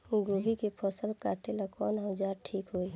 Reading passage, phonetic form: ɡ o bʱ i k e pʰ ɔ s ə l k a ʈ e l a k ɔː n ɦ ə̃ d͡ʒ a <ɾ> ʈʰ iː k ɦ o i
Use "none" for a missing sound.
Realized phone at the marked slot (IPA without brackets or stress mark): ɾ